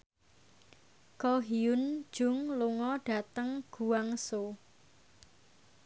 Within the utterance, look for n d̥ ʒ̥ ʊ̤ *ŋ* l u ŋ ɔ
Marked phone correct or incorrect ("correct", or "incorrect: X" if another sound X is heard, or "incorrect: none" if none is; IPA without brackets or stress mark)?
correct